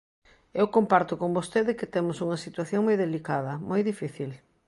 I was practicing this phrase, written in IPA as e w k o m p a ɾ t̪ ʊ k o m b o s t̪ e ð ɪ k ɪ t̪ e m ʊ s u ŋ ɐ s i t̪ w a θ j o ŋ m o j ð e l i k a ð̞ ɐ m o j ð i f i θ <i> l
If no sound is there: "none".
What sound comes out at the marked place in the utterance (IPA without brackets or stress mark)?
i